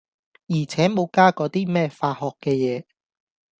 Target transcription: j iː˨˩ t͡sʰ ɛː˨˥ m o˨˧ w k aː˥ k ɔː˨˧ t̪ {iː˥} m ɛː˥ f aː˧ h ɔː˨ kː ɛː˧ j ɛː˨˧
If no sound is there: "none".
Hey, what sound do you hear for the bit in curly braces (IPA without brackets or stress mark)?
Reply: iː˥